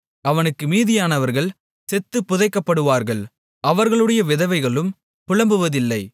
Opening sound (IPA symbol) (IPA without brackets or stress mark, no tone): ɐ